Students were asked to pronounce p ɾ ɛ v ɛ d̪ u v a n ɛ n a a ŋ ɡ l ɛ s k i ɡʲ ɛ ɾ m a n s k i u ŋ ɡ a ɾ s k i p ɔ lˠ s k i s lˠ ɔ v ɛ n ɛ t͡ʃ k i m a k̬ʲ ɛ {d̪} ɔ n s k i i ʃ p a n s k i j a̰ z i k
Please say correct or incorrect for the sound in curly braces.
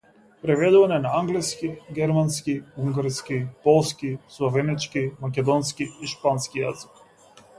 correct